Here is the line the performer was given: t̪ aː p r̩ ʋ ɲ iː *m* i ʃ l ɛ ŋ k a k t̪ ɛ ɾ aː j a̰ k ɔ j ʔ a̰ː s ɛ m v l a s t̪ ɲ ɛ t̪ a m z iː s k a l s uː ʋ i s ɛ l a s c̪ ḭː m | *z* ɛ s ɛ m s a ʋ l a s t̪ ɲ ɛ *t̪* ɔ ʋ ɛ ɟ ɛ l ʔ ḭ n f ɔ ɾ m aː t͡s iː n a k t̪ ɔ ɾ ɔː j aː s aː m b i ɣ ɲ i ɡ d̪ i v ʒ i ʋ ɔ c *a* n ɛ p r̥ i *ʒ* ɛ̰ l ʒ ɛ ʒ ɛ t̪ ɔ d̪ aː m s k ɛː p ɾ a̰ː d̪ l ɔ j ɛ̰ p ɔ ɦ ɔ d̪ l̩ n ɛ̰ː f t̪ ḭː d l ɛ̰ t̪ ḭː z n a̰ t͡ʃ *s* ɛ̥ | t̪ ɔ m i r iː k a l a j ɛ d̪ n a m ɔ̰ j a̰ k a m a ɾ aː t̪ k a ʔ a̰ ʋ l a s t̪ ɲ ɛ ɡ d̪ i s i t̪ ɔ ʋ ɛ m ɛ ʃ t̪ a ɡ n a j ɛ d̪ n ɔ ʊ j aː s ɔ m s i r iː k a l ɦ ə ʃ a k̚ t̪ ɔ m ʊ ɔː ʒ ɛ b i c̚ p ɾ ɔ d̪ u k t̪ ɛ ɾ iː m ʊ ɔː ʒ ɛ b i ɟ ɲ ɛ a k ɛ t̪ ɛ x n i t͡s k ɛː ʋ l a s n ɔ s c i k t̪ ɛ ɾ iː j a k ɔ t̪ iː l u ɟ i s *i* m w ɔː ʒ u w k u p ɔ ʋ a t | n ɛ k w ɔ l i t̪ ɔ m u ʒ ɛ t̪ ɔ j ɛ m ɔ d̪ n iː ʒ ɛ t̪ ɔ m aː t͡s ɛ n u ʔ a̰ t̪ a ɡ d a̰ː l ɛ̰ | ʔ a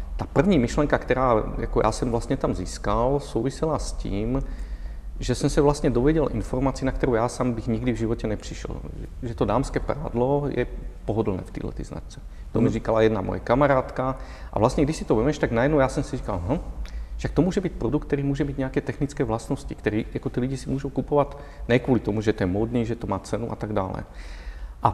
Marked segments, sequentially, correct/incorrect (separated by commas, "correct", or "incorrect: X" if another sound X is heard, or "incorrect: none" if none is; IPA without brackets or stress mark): correct, incorrect: ʒ, incorrect: d̪, incorrect: ɛ, incorrect: ʃ, incorrect: t͡s, correct